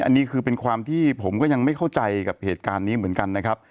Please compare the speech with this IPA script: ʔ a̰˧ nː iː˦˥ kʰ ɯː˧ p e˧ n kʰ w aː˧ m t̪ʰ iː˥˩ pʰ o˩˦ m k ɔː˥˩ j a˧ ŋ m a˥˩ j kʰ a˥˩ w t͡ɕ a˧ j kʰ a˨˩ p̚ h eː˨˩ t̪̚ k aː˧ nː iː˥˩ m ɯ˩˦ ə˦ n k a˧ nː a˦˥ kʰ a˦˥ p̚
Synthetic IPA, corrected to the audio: ʔ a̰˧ nː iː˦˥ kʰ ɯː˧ p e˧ n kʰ w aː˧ m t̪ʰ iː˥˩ pʰ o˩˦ m k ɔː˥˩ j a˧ ŋ m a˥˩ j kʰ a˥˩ w t͡ɕ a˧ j k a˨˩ p̚ h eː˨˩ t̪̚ k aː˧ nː iː˦˥ m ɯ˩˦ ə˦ n k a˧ nː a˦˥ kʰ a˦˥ p̚